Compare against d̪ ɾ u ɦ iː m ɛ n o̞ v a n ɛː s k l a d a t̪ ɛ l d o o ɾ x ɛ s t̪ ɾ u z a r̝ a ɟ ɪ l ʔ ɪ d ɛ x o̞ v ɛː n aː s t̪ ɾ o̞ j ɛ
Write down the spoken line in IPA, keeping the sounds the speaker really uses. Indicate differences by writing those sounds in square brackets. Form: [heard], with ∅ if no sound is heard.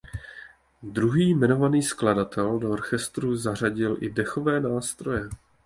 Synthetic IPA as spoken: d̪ ɾ u ɦ iː m ɛ n o̞ v a n [iː] s k l a d a t̪ ɛ l d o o ɾ x ɛ s t̪ ɾ u z a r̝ a ɟ ɪ l ʔ ɪ d ɛ x o̞ v ɛː n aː s t̪ ɾ o̞ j ɛ